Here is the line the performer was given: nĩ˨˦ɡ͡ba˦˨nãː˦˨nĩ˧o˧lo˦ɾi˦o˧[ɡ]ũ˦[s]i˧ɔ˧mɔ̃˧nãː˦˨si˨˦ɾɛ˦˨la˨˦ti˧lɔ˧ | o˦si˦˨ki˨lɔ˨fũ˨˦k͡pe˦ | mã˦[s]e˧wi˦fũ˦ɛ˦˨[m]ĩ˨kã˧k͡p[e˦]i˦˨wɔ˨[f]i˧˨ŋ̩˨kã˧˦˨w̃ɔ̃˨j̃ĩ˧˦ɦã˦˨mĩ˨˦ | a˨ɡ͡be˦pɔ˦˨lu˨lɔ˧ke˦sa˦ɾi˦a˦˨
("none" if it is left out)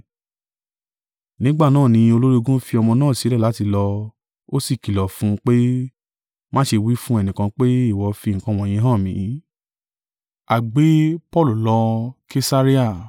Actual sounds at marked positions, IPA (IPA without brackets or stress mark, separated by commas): ɡ, f, ʃ, n, e˦, f